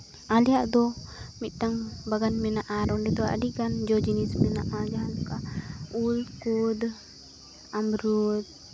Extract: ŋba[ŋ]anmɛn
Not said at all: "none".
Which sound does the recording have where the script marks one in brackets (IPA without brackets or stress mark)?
ɡ